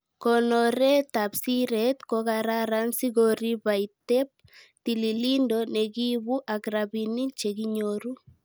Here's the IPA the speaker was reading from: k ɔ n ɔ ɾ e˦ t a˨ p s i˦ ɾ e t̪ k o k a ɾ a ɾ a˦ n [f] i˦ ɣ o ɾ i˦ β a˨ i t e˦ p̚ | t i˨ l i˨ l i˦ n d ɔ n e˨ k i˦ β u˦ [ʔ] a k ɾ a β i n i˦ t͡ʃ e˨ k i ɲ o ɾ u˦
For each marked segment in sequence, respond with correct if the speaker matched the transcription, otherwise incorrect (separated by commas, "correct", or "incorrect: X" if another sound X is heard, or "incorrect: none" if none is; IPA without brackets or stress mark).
incorrect: s, correct